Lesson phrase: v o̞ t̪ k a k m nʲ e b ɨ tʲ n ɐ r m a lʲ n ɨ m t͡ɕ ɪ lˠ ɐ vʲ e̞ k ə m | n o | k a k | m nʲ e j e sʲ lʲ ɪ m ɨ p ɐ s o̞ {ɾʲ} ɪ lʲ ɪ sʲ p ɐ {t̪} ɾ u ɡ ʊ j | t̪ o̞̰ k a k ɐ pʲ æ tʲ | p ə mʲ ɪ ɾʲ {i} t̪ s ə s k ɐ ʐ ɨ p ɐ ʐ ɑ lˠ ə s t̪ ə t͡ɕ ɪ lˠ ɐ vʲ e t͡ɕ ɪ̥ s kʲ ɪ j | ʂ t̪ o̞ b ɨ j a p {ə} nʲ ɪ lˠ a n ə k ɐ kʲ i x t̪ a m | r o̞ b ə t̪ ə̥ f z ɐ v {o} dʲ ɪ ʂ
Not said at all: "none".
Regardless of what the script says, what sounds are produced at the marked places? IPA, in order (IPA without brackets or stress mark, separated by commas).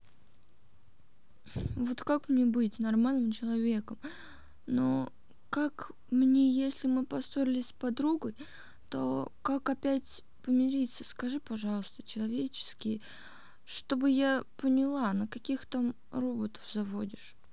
ɾʲ, d̪, i, ə, o